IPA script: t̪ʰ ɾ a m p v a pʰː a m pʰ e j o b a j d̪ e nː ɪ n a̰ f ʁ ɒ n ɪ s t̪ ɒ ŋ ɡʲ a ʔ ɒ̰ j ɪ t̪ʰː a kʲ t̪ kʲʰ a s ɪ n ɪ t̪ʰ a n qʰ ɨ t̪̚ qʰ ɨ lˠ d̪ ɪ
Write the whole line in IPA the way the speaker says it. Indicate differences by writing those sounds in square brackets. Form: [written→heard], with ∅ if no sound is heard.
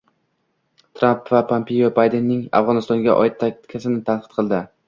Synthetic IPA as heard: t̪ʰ ɾ a m p v a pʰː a m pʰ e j o b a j d̪ e nː ɪ [n→ŋ] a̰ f ʁ ɒ n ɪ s t̪ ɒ ŋ ɡʲ a ʔ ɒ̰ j ɪ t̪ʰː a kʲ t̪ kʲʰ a s ɪ n ɪ t̪ʰ a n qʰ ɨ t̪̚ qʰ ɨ lˠ d̪ ɪ